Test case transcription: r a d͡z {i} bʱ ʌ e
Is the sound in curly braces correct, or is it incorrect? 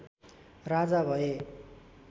incorrect